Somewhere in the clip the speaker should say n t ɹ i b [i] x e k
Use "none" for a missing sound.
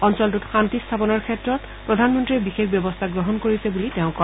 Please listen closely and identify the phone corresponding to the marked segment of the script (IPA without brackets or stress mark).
i